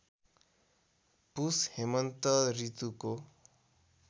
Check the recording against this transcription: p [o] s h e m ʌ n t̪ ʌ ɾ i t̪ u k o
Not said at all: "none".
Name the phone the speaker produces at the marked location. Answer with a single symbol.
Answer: u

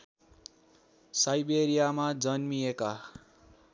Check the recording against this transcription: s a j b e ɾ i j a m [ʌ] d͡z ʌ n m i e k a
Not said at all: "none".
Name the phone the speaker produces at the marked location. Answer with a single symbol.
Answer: a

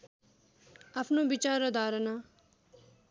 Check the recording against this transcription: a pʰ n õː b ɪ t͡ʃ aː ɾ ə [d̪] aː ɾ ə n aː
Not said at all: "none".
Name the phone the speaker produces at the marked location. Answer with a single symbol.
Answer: d̪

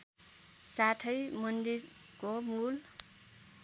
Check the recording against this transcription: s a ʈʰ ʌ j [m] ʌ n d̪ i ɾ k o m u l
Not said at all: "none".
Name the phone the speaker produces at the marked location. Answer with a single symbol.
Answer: m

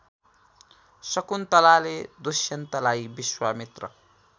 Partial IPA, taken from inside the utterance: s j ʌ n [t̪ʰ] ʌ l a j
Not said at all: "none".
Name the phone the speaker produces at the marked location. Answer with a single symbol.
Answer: t̪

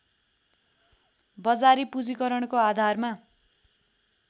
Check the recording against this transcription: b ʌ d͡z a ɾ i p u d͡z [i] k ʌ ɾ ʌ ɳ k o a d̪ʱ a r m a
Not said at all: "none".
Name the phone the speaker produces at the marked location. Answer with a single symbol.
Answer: i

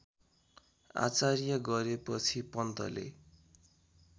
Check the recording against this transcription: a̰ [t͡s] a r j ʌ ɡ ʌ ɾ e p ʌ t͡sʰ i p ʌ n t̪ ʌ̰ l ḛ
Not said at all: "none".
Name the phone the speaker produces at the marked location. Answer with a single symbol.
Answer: t͡s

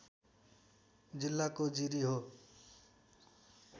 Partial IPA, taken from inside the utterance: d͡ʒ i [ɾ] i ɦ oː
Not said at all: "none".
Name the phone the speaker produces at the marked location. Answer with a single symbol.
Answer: ɾ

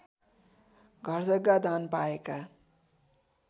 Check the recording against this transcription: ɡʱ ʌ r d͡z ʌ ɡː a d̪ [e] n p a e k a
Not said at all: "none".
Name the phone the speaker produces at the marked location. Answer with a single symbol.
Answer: a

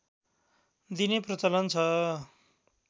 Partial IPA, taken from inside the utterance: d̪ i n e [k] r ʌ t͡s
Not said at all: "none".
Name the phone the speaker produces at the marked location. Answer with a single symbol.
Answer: p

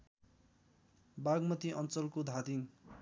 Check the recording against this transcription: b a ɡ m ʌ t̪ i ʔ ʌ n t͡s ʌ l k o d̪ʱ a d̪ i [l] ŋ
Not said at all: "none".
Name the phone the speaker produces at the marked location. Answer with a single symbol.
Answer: none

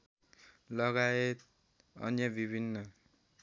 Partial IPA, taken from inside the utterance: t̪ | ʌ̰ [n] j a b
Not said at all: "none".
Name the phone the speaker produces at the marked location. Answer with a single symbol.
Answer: n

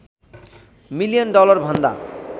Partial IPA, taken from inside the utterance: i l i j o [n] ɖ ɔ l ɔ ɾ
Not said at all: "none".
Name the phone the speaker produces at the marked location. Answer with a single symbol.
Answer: n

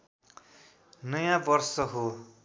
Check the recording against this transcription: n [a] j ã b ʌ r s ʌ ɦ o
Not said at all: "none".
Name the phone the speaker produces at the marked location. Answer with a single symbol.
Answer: ʌ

